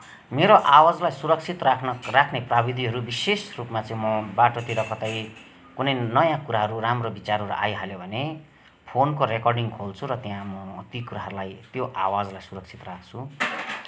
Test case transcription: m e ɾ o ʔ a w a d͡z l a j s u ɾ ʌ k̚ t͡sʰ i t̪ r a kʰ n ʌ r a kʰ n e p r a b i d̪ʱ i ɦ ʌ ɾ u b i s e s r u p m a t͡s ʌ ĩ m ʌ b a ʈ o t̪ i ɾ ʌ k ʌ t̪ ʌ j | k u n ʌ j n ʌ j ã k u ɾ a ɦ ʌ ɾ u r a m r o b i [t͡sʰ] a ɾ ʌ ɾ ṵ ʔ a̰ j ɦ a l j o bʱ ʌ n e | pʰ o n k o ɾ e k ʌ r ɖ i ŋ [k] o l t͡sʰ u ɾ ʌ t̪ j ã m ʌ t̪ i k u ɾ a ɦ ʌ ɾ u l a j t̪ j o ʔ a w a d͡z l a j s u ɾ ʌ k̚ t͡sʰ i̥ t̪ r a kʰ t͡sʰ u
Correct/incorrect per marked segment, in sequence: incorrect: t͡s, incorrect: kʰ

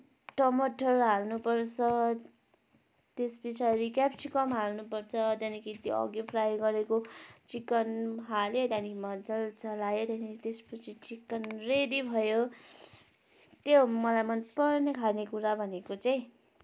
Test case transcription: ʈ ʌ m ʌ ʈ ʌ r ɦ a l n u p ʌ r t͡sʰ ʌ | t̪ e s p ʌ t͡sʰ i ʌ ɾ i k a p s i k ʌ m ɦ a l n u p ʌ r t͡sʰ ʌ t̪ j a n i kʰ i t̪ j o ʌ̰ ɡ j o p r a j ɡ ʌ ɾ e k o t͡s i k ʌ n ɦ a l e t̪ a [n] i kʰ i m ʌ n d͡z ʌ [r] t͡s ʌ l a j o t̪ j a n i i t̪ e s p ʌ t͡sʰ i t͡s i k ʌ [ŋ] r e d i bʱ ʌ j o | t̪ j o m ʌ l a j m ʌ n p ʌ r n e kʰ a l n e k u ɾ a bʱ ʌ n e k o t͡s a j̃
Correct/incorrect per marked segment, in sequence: correct, incorrect: l, incorrect: n

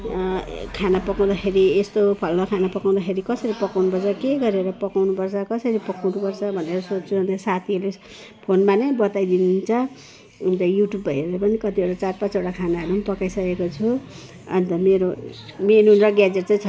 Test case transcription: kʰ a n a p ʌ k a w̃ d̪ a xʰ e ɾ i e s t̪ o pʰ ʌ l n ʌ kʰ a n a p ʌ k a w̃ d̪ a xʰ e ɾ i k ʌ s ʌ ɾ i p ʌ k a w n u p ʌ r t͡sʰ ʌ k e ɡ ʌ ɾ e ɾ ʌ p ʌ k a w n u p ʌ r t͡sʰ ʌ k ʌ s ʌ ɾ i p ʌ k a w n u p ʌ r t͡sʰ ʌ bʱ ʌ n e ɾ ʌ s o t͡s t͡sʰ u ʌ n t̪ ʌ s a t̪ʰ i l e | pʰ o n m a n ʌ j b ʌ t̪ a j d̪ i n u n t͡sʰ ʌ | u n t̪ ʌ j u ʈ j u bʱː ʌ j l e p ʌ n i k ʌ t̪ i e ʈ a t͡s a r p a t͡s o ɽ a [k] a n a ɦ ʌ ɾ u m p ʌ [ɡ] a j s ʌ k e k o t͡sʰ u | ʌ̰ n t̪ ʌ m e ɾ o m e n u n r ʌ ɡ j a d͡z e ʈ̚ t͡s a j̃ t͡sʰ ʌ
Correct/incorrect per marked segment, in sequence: incorrect: kʰ, incorrect: k

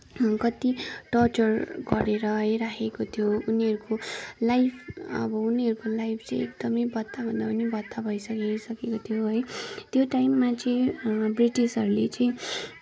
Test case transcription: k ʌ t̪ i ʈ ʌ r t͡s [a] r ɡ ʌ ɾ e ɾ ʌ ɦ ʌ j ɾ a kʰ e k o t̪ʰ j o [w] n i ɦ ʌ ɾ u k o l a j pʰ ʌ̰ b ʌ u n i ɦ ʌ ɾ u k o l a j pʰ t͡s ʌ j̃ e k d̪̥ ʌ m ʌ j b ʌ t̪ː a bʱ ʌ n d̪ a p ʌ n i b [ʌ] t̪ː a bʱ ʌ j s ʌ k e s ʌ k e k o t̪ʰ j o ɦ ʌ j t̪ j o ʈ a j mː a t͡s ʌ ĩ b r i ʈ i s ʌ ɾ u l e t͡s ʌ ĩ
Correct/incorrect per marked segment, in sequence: incorrect: ʌ, incorrect: u, correct

